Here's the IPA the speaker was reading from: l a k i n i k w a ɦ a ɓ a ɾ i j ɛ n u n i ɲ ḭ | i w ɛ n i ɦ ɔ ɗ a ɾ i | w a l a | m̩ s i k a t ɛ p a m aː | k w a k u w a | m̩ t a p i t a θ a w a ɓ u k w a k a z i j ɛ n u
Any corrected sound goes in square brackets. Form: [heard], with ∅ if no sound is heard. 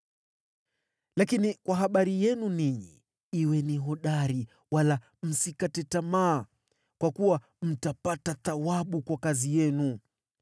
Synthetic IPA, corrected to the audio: l a k i n i k w a ɦ a ɓ a ɾ i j ɛ n u n i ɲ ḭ | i w ɛ n i ɦ ɔ ɗ a ɾ i | w a l a | m̩ s i k a t ɛ [t] a m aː | k w a k u w a | m̩ t a p [a] t a θ a w a ɓ u k w a k a z i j ɛ n u